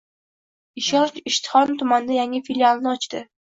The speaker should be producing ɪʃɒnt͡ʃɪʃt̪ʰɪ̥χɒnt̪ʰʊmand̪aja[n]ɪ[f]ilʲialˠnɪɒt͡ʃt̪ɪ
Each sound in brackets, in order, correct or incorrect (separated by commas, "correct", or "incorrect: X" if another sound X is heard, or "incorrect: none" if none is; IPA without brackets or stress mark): incorrect: ŋ, correct